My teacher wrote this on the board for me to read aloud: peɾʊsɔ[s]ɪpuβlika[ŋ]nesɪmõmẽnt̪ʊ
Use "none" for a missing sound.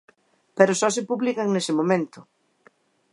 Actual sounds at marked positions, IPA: s, ŋ

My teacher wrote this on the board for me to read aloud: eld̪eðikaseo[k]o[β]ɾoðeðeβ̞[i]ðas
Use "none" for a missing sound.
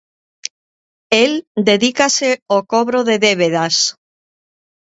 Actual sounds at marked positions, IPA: k, β, e

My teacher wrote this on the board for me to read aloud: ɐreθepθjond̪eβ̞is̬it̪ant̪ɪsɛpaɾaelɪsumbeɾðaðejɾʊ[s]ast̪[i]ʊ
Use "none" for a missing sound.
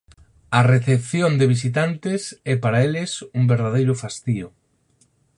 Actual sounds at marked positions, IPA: f, i

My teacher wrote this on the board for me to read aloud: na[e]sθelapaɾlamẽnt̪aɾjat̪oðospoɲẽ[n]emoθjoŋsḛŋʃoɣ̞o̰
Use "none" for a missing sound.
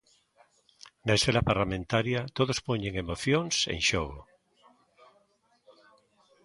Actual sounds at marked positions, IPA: e, ŋ

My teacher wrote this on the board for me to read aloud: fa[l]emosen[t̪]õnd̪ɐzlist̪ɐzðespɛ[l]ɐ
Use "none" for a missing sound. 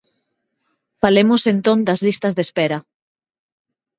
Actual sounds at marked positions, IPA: l, t̪, ɾ

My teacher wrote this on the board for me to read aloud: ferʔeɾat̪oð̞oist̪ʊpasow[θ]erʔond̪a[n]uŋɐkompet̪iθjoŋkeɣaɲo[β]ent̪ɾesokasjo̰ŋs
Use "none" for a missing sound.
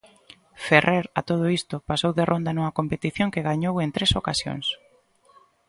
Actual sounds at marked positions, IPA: ð, n, w

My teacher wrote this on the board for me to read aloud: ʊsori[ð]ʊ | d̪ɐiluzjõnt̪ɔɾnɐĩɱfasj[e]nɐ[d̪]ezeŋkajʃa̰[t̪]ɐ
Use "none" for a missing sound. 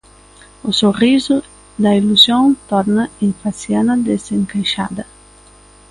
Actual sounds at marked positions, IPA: z, a, d̪, d̪

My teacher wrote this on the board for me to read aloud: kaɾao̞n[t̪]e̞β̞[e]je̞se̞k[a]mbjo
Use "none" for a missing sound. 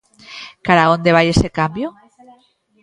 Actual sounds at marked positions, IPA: d̪, a, a

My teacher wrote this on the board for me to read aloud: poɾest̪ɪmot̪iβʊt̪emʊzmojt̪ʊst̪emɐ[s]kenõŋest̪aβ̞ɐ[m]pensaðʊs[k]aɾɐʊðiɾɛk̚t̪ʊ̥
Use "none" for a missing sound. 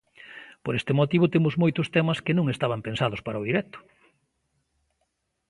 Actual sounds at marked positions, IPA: s, m, p

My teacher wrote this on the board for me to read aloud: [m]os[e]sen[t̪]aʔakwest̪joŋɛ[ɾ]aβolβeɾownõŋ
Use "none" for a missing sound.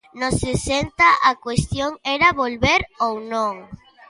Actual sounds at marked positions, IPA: n, e, t̪, ɾ

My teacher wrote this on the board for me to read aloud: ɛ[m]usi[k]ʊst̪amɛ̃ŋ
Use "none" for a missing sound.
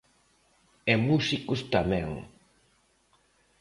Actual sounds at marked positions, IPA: m, k

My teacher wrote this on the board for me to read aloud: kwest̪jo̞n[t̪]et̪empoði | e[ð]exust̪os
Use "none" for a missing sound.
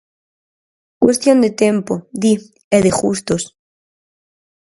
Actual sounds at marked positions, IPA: d̪, ð

